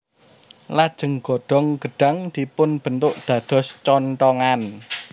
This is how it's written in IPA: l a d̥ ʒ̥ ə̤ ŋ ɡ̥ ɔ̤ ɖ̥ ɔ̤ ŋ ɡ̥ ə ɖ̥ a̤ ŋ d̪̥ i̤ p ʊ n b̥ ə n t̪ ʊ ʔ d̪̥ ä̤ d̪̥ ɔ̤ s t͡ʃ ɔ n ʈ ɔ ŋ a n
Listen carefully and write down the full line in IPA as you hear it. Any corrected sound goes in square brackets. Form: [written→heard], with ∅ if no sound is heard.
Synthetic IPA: l a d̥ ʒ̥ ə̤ ŋ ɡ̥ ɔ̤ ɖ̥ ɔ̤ ŋ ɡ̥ ə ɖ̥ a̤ ŋ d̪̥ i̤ p ʊ n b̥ ə n t̪ ʊ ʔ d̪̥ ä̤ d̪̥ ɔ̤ s t͡ʃ ɔ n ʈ ɔ ŋ a n